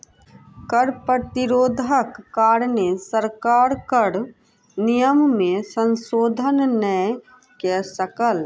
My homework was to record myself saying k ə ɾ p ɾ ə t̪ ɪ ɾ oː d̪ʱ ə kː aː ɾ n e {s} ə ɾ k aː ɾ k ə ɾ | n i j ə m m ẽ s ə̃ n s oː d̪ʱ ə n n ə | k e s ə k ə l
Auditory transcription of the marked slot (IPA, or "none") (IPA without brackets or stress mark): s